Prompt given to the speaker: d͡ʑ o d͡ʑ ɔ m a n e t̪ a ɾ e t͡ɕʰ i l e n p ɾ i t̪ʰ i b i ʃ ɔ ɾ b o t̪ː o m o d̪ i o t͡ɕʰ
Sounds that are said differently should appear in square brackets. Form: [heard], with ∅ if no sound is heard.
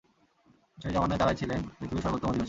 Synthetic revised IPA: d͡ʑ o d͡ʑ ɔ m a n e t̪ a ɾ [a] t͡ɕʰ i l e n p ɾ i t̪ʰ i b i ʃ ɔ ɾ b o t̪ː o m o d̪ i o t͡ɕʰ